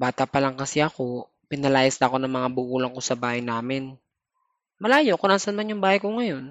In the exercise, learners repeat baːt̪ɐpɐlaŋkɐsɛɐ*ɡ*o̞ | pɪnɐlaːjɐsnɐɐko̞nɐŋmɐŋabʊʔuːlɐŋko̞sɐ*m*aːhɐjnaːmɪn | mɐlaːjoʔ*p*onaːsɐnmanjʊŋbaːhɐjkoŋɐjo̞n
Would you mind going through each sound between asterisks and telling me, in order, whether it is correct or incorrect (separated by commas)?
incorrect, incorrect, incorrect